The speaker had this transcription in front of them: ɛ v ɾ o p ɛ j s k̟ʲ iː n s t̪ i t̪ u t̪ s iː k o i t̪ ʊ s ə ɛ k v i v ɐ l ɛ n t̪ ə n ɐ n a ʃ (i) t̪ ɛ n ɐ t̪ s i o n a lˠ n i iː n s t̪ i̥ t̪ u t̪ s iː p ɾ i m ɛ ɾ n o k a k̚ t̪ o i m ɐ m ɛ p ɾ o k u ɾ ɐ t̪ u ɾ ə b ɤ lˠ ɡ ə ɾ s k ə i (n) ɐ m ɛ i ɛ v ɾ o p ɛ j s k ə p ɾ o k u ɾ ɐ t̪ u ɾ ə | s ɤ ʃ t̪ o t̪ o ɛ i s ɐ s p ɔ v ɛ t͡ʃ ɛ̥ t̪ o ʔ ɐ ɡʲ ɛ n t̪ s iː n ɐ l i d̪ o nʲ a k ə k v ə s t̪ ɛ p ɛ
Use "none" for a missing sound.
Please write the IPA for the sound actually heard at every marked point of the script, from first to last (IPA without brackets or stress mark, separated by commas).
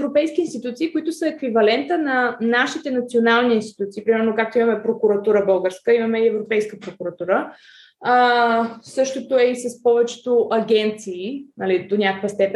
i, m